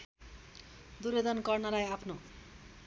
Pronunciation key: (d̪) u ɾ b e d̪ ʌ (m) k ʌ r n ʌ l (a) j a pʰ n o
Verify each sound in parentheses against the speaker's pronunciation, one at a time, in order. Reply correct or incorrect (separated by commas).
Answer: correct, incorrect, correct